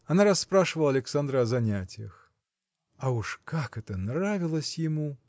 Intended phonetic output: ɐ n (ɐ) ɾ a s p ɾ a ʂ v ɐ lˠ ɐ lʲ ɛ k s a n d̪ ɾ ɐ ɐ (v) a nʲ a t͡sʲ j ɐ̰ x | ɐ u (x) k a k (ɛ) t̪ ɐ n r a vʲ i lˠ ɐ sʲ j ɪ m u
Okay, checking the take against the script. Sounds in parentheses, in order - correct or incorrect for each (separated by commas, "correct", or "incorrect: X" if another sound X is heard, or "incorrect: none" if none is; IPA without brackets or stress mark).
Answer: incorrect: a, incorrect: z, incorrect: ʂ, correct